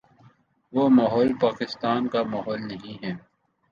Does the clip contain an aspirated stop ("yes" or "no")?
no